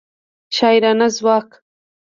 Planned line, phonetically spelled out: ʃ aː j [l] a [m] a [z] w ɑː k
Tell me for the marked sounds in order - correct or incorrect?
incorrect: ɾ, incorrect: n, correct

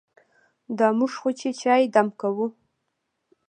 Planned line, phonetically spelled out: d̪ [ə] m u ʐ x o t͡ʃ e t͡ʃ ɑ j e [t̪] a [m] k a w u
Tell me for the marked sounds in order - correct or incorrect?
incorrect: ɑ, incorrect: d̪, correct

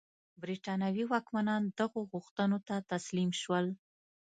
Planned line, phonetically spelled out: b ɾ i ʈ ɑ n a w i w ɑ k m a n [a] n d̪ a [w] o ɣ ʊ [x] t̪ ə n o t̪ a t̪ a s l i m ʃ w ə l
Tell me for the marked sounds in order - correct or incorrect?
incorrect: ɑ, incorrect: ɣ, correct

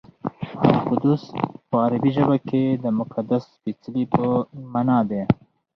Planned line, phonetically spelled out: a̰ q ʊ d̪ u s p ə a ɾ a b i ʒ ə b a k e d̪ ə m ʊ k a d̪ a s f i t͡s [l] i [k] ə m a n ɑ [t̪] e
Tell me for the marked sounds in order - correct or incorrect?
correct, incorrect: p, incorrect: d̪

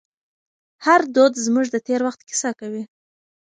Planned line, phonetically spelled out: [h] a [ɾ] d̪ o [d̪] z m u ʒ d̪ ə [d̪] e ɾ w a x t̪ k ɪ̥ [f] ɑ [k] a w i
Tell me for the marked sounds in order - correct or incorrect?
correct, correct, correct, incorrect: t̪, incorrect: s, correct

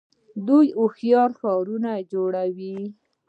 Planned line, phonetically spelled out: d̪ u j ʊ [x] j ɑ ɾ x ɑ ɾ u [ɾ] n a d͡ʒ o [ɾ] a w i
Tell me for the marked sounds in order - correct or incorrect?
correct, incorrect: none, incorrect: ɽ

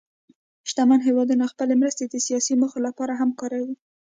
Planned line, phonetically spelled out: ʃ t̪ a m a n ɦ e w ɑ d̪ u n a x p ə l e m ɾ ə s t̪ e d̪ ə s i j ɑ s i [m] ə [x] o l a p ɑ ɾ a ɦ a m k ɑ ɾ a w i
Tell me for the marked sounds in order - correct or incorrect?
correct, correct

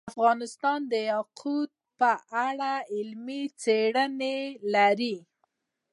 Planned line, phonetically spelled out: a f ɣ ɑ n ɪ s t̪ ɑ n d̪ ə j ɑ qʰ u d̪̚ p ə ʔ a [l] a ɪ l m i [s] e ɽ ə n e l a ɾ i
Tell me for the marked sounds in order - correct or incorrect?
incorrect: ɽ, incorrect: t͡s

